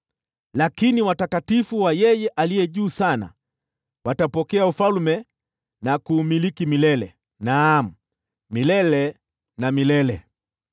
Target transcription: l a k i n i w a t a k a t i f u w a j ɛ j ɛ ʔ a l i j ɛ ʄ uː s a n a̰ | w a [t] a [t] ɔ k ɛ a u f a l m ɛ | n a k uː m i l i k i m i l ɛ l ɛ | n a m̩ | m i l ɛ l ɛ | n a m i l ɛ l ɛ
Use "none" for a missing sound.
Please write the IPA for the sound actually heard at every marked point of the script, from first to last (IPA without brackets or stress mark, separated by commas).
t, p